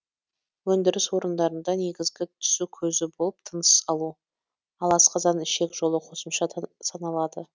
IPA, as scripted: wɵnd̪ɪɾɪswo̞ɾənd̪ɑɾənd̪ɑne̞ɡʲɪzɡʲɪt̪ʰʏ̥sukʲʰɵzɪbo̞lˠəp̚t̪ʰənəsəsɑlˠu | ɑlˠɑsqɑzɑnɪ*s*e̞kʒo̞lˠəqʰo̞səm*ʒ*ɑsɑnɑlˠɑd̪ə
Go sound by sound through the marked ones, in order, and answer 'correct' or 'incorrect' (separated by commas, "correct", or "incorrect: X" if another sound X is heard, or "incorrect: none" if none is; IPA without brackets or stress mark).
incorrect: ʃ, incorrect: ʃ